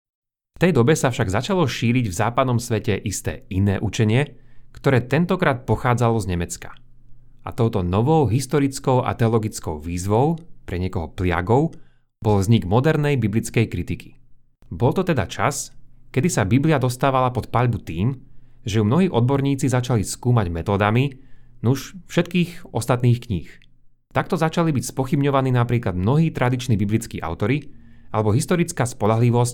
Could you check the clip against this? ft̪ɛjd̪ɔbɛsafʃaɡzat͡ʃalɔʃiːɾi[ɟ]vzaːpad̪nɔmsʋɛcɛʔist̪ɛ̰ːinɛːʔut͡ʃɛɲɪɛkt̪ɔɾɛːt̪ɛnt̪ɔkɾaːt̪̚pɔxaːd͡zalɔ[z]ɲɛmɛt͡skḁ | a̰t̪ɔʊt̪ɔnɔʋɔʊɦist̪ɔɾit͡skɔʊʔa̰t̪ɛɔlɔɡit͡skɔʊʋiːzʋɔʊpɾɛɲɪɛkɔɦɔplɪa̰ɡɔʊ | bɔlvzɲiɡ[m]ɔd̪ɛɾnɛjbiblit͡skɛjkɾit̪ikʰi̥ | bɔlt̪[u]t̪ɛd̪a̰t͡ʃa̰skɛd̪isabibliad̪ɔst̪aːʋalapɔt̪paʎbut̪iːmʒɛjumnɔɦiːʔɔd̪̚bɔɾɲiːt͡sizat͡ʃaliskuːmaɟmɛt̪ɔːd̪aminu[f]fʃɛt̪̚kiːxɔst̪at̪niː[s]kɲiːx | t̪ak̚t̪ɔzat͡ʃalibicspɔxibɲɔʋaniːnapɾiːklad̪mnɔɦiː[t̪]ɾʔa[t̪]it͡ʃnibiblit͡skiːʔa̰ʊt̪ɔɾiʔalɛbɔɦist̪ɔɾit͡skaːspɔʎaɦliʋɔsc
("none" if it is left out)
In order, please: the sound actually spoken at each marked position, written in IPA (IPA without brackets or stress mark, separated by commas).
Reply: ɟ, z, m, ɔ, ʃ, x, t̪, d̪